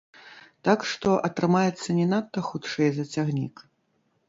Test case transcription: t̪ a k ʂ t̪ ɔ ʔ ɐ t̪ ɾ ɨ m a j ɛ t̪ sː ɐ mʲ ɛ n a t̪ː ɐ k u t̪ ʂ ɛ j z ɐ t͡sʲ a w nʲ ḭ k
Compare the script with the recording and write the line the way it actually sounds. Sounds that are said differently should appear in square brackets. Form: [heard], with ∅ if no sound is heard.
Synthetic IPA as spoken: t̪ a k ʂ t̪ ɔ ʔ ɐ t̪ ɾ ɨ m a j ɛ t̪ sː ɐ [nʲ] ɛ n a t̪ː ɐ [x] u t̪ ʂ ɛ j z ɐ t͡sʲ a [ɣ] nʲ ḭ k